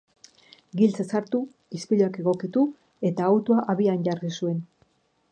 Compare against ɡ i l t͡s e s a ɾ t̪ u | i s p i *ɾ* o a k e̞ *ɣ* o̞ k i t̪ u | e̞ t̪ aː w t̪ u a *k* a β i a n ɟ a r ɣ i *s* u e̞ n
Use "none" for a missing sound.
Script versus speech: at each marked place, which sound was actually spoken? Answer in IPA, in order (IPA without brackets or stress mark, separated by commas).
ʎ, ɣ, ʔ, s